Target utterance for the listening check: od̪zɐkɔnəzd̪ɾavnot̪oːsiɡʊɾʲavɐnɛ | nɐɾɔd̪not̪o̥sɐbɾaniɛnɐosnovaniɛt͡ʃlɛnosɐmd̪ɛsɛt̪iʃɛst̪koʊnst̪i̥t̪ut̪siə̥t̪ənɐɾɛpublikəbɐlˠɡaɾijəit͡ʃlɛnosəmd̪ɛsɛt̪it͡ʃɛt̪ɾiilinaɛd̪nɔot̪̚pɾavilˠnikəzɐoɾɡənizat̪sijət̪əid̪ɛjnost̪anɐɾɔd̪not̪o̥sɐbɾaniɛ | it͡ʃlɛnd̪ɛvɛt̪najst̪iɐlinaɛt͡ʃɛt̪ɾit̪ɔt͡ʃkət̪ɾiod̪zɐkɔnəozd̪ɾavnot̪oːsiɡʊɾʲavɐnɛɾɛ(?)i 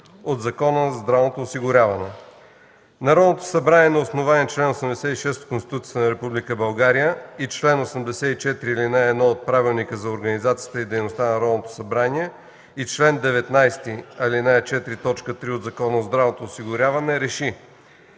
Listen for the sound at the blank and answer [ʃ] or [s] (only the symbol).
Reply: ʃ